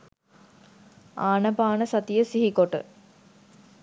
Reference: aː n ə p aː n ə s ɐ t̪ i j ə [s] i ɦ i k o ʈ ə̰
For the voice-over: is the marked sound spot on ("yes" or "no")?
yes